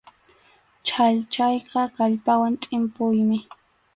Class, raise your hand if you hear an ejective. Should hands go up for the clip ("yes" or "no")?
yes